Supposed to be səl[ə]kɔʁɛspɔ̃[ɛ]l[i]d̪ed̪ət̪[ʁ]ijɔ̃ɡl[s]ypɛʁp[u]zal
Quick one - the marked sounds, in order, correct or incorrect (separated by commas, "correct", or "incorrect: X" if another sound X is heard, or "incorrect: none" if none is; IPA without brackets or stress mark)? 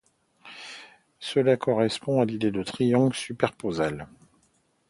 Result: incorrect: a, incorrect: a, correct, incorrect: χ, correct, incorrect: o